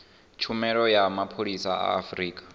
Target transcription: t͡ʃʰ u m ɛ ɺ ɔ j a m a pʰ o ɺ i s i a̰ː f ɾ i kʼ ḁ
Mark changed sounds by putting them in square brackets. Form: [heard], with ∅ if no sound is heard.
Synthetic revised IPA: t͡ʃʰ u m ɛ ɺ ɔ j a m a pʰ o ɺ i s [a] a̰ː f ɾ [iː] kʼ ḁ